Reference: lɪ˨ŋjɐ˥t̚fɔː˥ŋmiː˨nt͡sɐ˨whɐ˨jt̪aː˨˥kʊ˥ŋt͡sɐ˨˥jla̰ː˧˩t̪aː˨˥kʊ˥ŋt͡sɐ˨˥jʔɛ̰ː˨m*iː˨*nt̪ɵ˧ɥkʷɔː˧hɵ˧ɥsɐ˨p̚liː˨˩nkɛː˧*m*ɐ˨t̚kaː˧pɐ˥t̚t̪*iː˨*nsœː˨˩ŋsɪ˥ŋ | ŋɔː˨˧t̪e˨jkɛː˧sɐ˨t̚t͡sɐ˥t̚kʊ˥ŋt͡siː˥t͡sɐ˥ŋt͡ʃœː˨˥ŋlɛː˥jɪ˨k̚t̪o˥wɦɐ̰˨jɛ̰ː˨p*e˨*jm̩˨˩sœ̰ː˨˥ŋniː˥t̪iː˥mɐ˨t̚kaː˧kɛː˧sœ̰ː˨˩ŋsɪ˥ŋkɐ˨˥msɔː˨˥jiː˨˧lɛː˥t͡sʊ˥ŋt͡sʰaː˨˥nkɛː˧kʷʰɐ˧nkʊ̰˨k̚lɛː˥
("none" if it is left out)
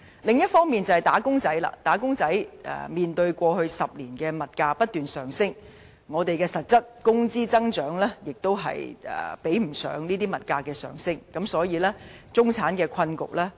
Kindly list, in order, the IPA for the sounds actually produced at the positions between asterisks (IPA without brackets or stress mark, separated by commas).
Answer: iː˨, m, yː˨, e˨˥